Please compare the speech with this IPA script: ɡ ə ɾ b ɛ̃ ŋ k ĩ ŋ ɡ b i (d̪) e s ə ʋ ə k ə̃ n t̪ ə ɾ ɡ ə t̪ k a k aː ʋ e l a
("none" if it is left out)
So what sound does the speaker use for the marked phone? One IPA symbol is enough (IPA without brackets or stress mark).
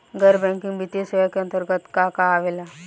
t̪